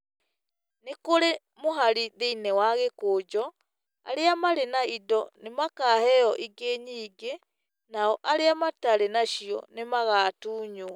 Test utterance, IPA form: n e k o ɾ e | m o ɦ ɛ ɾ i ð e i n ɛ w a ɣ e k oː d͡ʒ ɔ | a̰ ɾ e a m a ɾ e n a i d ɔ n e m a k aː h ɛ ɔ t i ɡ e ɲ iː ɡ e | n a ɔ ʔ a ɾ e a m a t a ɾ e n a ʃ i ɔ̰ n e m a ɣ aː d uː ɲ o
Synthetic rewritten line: n e k o ɾ e | m o ɦ a ɾ i ð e i n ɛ w a ɣ e k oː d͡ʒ ɔ | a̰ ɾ e a m a ɾ e n a i d ɔ n e m a k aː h ɛ ɔ ʔ i ɡ e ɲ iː ɡ e | n a ɔ ʔ a ɾ e a m a t a ɾ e n a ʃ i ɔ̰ n e m a ɣ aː t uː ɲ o

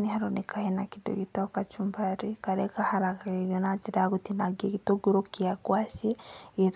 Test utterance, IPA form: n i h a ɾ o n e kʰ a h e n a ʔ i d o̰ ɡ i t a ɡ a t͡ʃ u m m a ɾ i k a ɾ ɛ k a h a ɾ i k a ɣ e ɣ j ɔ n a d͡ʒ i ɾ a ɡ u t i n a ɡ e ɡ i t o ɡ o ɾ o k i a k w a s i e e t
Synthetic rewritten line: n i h a ɾ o n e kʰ a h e n a k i d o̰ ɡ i t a k a t͡ʃ u m b a ɾ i k a ɾ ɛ k a h a ɾ a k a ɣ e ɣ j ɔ n a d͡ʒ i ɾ a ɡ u t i n a ɡ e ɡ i t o ɡ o ɾ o k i a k w a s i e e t

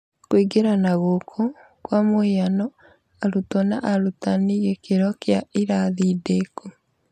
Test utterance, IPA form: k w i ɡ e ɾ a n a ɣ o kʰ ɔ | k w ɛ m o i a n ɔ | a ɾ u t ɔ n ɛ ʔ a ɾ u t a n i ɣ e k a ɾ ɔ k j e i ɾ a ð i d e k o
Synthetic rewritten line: k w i ɡ e ɾ a n a ɣ o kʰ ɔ | k w a m o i a n ɔ | a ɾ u t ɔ n a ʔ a ɾ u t a n i ɣ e k e ɾ ɔ k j a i ɾ a ð i d e k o

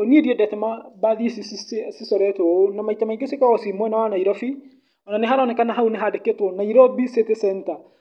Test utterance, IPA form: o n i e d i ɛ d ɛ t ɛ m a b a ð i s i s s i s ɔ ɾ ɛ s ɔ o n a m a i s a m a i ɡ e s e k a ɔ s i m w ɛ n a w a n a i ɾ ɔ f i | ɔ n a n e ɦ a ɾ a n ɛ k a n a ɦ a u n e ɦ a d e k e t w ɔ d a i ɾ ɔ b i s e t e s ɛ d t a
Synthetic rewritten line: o n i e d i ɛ d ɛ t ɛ m a b a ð i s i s s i s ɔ ɾ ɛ t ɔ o n a m a i t a m a i ɡ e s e k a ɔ s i m w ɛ n a w a n a i ɾ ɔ f i | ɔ n a n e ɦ a ɾ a n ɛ k a n a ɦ a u n e ɦ a d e k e t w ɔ n a i ɾ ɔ b i s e t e s ɛ n t a

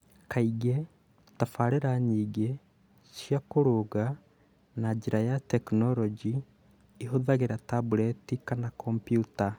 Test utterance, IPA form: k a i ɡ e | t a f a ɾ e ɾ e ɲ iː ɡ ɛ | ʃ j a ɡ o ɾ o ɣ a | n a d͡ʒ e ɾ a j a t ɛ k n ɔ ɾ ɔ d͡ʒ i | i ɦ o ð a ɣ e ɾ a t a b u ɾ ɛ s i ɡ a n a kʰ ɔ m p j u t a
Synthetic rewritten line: k a i ɡ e | t a f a ɾ e ɾ a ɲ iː ɡ e | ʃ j a k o ɾ o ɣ a | n a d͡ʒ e ɾ a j a t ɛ k n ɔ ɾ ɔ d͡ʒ i | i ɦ o ð a ɣ e ɾ a t a b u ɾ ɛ t i k a n a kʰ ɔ m p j u t a

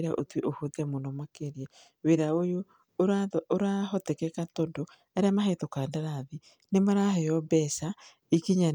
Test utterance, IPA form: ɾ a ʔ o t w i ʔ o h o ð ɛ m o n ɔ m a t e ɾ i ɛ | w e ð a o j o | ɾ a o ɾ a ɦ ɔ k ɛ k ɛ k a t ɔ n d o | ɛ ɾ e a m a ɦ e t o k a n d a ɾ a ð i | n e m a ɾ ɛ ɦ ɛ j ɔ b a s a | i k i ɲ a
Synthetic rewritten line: ɾ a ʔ o t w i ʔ o h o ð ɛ m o n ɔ m a k e ɾ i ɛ | w e ð a o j o | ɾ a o ɾ a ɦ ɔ t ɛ k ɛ k a t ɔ n d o | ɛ ɾ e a m a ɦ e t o k a n d a ɾ a ð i | n e m a ɾ a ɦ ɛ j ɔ b ɛ s a | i k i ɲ a

